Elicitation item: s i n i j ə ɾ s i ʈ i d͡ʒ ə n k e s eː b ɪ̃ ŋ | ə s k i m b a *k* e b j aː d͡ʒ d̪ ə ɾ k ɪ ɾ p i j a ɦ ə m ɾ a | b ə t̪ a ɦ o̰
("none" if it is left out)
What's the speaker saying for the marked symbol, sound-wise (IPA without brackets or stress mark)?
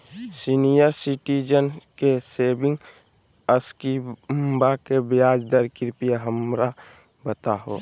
k